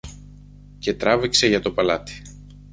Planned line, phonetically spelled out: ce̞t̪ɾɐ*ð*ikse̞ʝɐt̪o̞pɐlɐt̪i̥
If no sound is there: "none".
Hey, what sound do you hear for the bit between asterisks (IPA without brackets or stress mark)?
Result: v